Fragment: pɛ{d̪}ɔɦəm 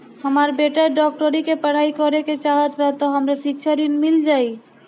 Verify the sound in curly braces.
incorrect: t̪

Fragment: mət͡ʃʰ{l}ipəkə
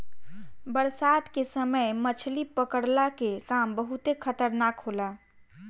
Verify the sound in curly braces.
correct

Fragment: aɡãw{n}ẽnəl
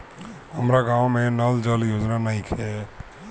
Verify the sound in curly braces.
incorrect: m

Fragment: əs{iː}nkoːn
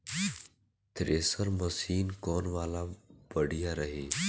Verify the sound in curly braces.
correct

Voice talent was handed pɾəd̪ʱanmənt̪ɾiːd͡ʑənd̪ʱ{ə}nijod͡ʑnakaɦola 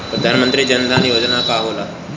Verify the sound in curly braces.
incorrect: a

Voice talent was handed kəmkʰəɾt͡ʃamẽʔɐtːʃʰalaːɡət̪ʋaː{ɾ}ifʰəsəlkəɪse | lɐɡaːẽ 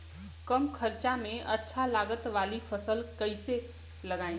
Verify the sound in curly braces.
incorrect: l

